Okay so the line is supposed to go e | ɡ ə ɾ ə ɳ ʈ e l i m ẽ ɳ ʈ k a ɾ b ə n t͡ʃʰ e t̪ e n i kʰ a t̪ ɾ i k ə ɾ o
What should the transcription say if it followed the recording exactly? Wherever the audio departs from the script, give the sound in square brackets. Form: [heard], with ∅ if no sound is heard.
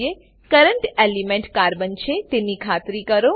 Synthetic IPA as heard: e | [k] ə ɾ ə ɳ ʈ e l i m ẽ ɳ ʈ k a ɾ b ə n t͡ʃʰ e t̪ e n i kʰ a t̪ ɾ i k ə ɾ o